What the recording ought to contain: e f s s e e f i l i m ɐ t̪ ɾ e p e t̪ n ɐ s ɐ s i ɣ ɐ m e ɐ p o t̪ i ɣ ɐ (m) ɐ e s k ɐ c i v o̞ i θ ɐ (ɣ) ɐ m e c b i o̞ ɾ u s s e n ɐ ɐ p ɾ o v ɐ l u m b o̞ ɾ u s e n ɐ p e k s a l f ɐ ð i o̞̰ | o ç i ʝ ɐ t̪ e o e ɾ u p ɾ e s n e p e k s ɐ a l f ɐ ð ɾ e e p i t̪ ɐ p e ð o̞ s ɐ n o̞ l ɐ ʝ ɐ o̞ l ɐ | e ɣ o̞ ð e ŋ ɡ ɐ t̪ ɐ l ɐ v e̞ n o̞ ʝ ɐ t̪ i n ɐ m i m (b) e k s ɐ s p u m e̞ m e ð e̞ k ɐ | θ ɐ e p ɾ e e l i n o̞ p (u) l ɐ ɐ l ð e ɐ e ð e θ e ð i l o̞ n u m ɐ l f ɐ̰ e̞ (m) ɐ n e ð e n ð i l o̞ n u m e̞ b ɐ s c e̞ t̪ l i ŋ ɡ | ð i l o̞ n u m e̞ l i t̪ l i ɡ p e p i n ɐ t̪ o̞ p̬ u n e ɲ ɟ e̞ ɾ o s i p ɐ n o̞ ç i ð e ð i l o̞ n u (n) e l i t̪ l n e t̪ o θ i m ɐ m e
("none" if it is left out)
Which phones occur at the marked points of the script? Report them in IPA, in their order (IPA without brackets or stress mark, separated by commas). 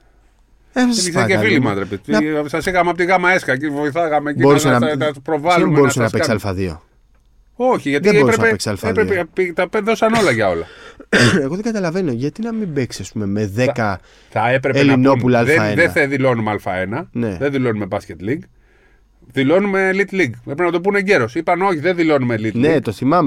m, ɣ, b, u, n, m